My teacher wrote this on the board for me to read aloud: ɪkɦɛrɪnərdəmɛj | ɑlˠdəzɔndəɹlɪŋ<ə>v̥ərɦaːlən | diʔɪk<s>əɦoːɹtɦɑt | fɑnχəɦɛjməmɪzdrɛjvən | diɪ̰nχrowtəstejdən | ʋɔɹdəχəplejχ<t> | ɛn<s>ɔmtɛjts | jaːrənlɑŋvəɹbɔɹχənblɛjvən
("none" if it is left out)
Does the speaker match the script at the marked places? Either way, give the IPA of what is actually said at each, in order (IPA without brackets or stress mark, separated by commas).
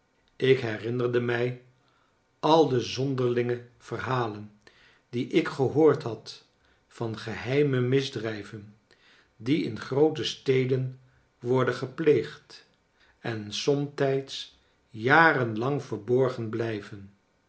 ə, χ, t, s